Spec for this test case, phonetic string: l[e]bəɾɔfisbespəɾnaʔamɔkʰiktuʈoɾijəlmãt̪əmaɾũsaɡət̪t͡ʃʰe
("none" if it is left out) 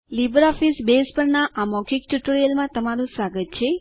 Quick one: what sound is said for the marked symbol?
i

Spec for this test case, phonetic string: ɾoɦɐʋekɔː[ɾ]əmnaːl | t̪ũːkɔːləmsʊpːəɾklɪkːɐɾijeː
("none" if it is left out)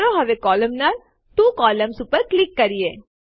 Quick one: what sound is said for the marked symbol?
l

